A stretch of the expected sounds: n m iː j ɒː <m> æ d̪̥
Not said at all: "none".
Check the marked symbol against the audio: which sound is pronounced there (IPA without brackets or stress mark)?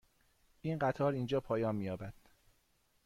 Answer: b